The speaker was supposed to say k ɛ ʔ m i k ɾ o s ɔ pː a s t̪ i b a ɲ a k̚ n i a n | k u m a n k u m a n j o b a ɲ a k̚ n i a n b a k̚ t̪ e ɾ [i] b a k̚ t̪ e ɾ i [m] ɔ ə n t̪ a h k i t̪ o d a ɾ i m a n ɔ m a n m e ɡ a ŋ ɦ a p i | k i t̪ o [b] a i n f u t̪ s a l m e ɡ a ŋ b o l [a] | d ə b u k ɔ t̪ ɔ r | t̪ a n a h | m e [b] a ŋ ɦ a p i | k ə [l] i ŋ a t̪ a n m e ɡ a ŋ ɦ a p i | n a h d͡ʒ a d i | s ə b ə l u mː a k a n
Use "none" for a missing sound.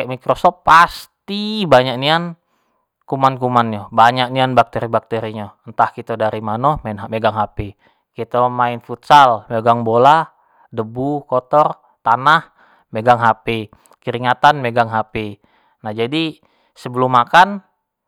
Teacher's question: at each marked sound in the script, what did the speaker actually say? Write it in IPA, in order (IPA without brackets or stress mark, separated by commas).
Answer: i, ɲ, m, a, ɡ, ɾ